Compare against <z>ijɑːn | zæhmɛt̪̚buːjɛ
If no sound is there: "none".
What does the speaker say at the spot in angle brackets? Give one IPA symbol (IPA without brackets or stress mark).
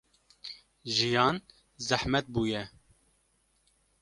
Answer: ʒ